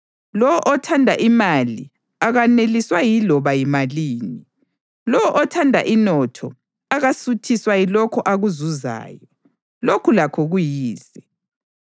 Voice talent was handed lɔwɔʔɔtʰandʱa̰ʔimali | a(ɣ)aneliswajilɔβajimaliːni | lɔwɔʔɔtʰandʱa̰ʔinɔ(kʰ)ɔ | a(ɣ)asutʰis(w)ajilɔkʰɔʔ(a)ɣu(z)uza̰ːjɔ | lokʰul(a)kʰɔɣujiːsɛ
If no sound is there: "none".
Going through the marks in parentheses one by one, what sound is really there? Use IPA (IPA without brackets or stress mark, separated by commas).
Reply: ɣ, tʰ, ɣ, w, a, z, a